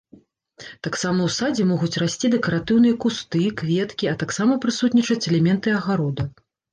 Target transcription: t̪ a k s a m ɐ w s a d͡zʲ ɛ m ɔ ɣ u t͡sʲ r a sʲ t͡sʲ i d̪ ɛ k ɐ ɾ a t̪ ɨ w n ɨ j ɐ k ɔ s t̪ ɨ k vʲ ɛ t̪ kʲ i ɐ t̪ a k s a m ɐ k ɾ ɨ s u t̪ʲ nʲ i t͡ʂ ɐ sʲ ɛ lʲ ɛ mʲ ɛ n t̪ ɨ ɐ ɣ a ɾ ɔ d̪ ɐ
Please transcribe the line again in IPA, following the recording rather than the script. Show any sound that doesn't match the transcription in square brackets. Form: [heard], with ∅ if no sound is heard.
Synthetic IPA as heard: t̪ a k s a m ɐ w s a d͡zʲ ɛ m ɔ ɣ u t͡sʲ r a sʲ t͡sʲ i d̪ ɛ k ɐ ɾ a t̪ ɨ w n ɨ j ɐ k [u] s t̪ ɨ k vʲ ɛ t̪ kʲ i ɐ t̪ a k s a m ɐ [p] ɾ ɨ s u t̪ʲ nʲ i t͡ʂ ɐ [t͡sʲ] ɛ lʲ ɛ mʲ ɛ n t̪ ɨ ɐ ɣ a ɾ ɔ d̪ ɐ